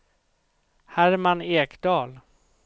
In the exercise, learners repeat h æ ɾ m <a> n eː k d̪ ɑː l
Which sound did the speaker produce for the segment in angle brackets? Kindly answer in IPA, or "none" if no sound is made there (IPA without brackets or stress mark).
a